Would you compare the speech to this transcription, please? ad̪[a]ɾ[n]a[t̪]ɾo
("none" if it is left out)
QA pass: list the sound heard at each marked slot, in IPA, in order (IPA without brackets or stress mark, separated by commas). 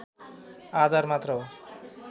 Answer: a, m, t̪